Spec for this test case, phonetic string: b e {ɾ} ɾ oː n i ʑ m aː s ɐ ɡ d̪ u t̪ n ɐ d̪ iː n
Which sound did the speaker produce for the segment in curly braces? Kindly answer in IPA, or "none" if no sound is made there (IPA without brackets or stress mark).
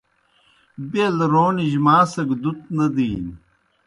l